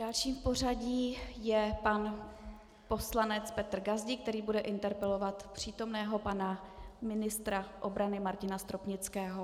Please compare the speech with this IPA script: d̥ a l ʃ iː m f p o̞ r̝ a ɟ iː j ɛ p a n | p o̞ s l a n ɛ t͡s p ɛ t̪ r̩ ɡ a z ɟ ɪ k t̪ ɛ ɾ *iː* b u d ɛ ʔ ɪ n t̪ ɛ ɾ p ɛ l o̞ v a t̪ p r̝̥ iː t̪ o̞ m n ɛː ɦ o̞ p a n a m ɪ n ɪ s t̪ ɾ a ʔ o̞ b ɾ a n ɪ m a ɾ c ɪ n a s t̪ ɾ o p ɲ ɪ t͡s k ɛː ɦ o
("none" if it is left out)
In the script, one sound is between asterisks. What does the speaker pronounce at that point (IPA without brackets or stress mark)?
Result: iː